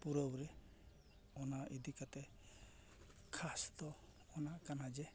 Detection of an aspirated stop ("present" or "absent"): present